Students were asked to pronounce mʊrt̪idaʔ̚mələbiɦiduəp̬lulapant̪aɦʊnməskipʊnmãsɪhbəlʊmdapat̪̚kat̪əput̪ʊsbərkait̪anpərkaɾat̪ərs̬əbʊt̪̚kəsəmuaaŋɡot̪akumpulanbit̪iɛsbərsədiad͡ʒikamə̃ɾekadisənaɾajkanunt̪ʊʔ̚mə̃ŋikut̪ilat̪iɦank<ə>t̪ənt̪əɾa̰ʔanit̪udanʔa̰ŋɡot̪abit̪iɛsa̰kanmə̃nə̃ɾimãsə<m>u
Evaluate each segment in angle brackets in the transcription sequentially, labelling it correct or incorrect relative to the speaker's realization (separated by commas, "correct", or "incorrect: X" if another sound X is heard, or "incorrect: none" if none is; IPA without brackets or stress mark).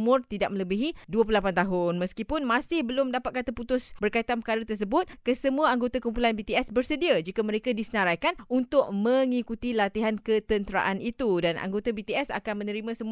correct, correct